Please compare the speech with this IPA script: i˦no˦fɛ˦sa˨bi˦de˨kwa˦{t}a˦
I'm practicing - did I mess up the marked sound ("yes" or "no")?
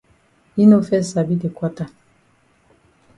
no